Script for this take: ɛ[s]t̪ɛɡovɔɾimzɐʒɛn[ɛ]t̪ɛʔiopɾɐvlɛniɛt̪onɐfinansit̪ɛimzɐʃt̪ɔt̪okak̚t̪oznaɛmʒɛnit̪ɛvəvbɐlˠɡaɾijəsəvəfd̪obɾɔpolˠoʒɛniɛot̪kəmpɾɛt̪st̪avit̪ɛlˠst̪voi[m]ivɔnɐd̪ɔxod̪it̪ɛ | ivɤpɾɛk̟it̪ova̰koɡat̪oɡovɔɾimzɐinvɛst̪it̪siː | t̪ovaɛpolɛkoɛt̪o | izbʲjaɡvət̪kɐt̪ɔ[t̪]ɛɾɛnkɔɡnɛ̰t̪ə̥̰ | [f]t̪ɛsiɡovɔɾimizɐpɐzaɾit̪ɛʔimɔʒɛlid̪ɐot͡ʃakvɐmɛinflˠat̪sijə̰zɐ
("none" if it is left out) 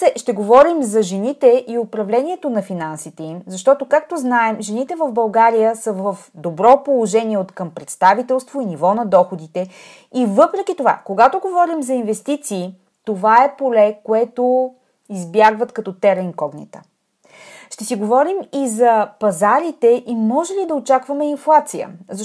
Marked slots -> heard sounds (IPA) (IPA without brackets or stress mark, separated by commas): ʃ, i, n, t̪, ʃ